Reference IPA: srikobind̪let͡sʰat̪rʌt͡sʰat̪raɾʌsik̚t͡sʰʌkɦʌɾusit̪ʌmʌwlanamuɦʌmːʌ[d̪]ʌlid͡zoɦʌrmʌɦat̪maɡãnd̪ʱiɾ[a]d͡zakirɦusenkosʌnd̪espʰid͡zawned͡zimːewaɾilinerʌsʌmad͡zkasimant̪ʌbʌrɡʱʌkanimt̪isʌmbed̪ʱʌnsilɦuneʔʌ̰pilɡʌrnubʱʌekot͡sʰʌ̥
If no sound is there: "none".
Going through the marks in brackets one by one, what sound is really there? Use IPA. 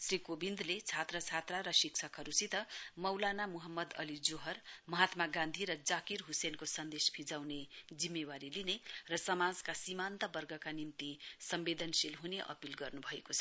d̪, ʌ

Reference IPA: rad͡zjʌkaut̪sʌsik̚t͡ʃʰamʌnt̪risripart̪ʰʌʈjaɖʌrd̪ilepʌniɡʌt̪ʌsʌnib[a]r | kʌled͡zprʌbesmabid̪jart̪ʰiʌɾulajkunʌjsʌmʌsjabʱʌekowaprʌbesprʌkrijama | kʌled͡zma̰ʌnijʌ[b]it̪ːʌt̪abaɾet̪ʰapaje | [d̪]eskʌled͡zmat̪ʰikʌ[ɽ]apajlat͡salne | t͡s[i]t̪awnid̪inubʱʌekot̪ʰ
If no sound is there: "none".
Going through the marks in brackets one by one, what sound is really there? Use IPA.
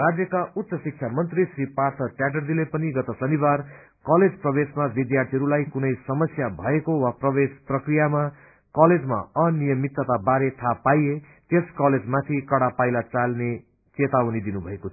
a, m, t̪, ɽ, e

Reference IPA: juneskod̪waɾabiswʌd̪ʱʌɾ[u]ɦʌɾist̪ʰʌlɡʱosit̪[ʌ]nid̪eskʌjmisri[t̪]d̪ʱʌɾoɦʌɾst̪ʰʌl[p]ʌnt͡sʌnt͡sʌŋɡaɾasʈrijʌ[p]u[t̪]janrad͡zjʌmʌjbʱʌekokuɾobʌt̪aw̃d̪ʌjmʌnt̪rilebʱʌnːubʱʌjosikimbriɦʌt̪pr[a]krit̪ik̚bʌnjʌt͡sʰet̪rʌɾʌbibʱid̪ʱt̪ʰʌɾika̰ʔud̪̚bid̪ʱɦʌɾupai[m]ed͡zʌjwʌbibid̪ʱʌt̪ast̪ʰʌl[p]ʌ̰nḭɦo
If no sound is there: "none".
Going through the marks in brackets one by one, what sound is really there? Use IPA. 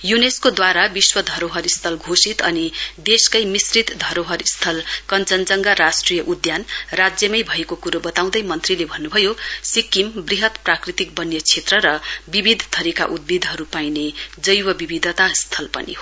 o, ʌ, t̪, k, ʔ, d̪, a, n, p

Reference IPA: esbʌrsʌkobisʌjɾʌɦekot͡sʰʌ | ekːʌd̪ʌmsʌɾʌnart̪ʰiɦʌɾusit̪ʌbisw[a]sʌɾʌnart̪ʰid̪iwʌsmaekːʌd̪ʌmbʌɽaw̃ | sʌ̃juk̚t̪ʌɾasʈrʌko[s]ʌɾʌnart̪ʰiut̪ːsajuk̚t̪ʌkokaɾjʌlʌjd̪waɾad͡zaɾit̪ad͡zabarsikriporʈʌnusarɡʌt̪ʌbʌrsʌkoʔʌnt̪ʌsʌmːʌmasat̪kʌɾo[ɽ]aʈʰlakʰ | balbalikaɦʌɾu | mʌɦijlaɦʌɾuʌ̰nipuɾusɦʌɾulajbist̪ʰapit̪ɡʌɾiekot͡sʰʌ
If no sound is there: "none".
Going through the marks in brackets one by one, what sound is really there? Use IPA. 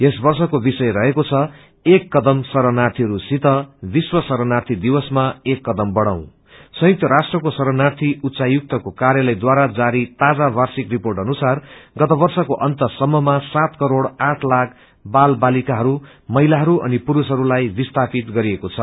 ʌ, s, ɽ

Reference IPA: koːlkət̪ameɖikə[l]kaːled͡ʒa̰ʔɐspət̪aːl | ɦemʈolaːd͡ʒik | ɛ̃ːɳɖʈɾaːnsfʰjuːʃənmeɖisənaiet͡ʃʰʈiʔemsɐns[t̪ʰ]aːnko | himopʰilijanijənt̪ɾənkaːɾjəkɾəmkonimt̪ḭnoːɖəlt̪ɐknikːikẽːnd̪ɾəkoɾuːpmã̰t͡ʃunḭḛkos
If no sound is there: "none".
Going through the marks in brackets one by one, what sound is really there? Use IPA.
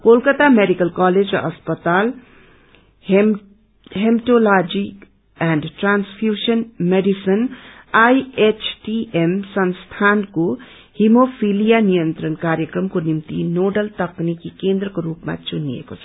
l, t̪ʰ

